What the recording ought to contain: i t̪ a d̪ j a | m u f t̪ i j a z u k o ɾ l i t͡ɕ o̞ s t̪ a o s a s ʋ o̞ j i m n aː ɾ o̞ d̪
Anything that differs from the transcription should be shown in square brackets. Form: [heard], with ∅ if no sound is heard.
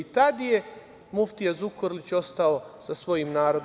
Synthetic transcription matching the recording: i t̪ a d̪ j [e] | m u f t̪ i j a z u k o ɾ l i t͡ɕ o̞ s t̪ a o s a s ʋ o̞ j i m n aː ɾ o̞ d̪